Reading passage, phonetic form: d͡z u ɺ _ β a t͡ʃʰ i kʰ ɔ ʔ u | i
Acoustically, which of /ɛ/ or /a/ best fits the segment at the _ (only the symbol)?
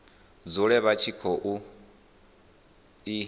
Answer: ɛ